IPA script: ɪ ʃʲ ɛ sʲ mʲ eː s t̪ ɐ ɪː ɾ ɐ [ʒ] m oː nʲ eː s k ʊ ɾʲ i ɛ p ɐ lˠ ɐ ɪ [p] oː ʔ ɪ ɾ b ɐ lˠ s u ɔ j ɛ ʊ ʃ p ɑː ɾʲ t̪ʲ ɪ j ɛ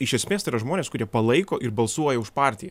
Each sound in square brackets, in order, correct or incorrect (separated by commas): correct, incorrect